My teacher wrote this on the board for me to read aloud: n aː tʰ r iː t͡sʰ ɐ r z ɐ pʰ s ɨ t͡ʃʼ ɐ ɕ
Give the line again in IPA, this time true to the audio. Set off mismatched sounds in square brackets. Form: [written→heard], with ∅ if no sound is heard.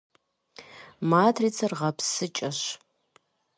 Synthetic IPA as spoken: [n→m] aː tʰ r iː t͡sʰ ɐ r [z→ʁ] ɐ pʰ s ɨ t͡ʃʼ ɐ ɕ